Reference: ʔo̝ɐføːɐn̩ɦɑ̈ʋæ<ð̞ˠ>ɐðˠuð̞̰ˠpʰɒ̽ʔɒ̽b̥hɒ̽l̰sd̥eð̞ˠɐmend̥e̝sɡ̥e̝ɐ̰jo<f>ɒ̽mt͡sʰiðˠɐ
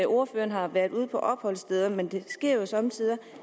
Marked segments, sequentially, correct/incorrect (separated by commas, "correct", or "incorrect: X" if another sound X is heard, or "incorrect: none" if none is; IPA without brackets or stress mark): incorrect: none, incorrect: s